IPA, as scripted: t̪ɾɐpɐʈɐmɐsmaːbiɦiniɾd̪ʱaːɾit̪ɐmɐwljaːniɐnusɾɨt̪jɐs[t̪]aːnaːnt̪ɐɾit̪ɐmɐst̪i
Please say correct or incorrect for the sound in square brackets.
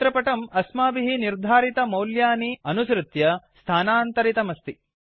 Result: incorrect